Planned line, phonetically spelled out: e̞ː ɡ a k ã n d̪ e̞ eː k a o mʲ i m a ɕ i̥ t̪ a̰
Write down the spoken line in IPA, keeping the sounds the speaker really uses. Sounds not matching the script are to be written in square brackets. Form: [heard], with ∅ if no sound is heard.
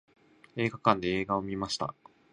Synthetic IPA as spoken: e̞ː ɡ a k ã n d̪ e̞ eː [ɡ] a o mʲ i m a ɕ i̥ t̪ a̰